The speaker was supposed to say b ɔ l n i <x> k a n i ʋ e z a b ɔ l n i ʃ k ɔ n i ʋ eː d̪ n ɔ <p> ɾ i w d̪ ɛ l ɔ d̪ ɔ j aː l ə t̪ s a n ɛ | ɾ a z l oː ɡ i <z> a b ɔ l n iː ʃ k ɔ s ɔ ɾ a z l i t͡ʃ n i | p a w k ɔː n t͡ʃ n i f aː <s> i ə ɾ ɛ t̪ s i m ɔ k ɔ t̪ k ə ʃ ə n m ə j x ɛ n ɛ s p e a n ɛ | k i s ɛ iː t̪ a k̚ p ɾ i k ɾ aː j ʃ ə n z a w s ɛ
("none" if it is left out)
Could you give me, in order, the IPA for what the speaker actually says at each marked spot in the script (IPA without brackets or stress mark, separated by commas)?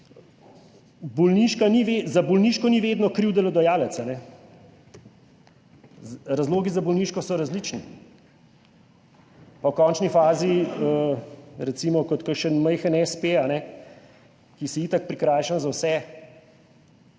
ʃ, k, z, z